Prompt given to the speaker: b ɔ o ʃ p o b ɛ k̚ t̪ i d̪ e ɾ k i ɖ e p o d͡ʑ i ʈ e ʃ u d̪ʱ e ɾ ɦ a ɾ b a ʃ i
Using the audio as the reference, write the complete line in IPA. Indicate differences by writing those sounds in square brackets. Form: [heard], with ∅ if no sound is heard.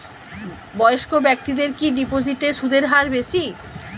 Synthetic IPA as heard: b ɔ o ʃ [k] o b ɛ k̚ t̪ i d̪ e ɾ k i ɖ [i] p o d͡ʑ i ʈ e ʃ u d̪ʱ e ɾ ɦ a ɾ b [e] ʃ i